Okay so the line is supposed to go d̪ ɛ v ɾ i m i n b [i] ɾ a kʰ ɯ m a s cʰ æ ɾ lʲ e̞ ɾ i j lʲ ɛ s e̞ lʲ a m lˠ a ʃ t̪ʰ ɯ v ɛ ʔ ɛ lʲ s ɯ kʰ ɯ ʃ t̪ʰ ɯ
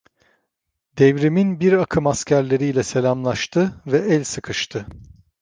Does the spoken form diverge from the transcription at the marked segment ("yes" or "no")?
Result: no